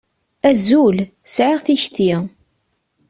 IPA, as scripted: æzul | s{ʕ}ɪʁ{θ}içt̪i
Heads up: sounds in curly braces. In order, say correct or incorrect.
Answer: correct, correct

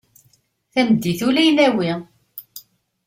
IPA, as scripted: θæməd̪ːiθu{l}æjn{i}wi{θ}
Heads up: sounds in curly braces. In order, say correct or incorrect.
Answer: correct, incorrect, incorrect

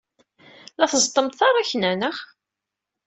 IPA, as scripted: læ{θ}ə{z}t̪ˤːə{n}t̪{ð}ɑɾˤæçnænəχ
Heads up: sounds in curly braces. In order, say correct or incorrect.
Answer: correct, correct, incorrect, incorrect

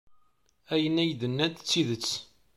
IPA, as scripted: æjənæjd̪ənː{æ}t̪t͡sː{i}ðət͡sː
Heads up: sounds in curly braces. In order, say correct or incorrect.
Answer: correct, correct

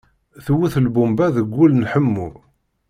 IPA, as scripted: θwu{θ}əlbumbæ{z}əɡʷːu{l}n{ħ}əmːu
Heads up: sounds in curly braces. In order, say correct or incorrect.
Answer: correct, incorrect, correct, correct

